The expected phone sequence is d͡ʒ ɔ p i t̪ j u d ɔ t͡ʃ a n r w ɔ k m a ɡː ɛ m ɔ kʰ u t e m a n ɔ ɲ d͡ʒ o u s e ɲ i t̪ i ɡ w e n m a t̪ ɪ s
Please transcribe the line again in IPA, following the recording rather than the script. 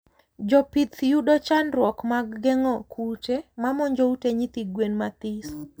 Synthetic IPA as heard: d͡ʒ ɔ p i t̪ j u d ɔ t͡ʃ a n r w ɔ k m a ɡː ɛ ŋ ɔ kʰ u t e m a m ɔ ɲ d͡ʒ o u t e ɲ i t̪ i ɡ w e n m a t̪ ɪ s

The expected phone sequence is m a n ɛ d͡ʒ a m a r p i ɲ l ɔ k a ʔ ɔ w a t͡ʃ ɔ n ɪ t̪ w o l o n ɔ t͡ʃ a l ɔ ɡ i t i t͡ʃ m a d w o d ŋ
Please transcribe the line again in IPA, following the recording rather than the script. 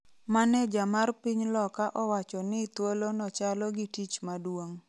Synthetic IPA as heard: m a n ɛ d͡ʒ a m a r p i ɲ l ɔ k a ʔ ɔ w a t͡ʃ ɔ n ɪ t̪ w o l o n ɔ t͡ʃ a l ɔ ɡ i t i t͡ʃ m a d w o ŋ

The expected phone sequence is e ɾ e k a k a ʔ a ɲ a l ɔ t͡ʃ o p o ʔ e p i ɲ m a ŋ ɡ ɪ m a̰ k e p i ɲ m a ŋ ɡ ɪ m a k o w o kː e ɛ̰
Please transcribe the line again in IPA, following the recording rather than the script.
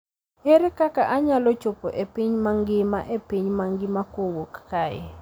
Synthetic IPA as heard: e ɾ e k a k a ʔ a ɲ a l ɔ t͡ʃ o p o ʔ e p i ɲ m a ŋ ɡ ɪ m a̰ ʔ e p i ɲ m a ŋ ɡ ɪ m a k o w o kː a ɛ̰

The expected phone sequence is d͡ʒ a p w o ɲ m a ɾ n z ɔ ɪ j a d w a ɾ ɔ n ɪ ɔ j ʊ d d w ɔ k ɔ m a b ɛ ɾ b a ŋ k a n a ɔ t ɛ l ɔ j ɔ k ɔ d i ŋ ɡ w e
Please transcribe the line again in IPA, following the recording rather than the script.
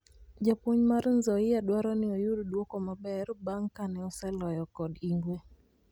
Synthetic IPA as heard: d͡ʒ a p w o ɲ m a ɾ n z ɔ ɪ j a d w a ɾ ɔ n ɪ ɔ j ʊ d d w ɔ k ɔ m a b ɛ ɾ b a ŋ k a n ɛ ɔ s ɛ l ɔ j ɔ k ɔ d i ŋ ɡ w e

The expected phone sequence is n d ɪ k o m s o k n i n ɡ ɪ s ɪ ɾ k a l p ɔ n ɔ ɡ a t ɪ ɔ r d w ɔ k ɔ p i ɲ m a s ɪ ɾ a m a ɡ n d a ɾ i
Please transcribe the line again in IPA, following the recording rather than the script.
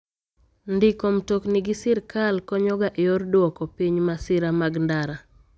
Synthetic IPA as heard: n d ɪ k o m t o k n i ɡ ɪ s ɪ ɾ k a l k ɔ ɲ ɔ ɡ a ʔ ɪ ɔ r d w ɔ k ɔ p i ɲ m a s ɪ ɾ a m a ɡ n d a ɾ a

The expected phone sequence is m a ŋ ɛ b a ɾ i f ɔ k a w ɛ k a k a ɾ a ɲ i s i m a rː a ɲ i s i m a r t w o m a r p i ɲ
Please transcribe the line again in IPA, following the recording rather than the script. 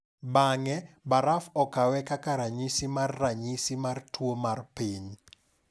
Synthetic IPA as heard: b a ŋ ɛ b a ɾ a f ɔ k a w ɛ k a k a ɾ a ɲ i s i m a rː a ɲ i s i m a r t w o m a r p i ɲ

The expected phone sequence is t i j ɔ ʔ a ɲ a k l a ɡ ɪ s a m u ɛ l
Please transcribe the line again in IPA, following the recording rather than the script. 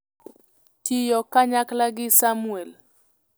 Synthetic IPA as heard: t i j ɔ k a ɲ a k l a ɡ ɪ s a m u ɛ l

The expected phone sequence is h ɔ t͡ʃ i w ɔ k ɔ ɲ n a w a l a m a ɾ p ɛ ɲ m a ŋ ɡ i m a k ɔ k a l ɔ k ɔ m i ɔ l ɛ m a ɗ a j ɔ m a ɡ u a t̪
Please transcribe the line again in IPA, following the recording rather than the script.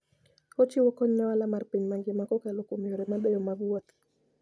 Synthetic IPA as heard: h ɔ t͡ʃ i w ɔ k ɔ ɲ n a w a l a m a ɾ p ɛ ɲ m a ŋ ɡ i m a k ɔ k a l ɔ k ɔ m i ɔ ɾ ɛ m a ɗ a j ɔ m a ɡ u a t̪

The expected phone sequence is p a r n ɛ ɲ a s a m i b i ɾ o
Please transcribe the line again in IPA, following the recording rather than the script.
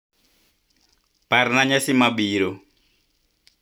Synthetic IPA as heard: p a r n a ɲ a s i m a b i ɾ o

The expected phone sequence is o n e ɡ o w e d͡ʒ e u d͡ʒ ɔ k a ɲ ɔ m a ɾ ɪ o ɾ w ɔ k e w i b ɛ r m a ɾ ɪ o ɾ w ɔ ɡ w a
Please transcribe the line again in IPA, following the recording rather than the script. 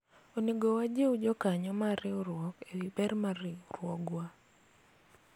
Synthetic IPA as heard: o n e ɡ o w a d͡ʒ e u d͡ʒ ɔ k a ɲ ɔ m a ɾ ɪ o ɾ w ɔ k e w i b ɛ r m a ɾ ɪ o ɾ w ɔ ɡ w a

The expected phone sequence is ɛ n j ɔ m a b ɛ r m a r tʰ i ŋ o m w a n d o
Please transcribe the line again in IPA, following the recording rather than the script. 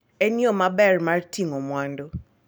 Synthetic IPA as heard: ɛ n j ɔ m a b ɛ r m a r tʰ i ŋ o m w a n d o

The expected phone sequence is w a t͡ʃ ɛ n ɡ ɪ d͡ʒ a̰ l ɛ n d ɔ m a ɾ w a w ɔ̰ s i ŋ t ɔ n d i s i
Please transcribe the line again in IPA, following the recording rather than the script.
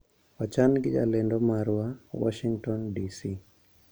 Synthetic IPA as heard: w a t͡ʃ a n ɡ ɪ d͡ʒ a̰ l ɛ n d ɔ m a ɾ w a w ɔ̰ ʃ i ŋ t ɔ n d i s i

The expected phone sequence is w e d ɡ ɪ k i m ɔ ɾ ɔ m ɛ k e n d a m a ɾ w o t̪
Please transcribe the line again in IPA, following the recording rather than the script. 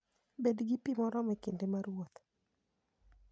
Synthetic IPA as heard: b e d ɡ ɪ p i m ɔ ɾ ɔ m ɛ k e n d e m a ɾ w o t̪

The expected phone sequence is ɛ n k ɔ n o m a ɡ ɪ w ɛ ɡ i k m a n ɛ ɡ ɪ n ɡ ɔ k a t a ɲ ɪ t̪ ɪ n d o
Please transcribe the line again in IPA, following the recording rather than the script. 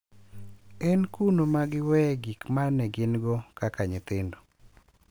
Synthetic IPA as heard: ɛ n k u n o m a ɡ ɪ w ɛ ɡ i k m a n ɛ ɡ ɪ n ɡ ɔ k a k a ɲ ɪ t̪ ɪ n d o

